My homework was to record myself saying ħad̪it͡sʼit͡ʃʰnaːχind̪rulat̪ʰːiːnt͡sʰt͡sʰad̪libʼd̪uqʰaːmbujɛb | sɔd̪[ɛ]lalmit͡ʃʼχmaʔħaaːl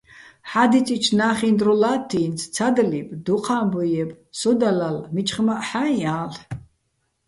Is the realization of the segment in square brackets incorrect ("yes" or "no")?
yes